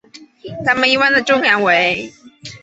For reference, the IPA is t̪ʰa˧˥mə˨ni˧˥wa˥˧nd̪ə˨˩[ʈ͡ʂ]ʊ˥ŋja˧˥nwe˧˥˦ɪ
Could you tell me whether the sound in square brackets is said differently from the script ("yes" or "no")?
no